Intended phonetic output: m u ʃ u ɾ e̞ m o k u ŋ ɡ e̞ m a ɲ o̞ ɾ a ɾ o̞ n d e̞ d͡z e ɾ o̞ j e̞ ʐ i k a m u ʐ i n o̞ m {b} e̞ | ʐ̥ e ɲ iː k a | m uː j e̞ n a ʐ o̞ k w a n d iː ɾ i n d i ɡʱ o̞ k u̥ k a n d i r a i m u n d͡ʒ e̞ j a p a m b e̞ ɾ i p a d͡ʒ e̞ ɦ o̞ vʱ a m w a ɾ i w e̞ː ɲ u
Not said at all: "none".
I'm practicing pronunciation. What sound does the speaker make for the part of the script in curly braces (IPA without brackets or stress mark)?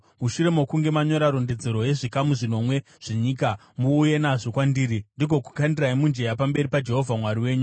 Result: w